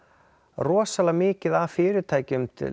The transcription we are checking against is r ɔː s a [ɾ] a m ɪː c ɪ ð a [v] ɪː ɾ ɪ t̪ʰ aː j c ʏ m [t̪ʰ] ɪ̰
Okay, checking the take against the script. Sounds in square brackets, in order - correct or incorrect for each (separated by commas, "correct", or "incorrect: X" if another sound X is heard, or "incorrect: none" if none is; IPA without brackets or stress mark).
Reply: incorrect: l, incorrect: f, correct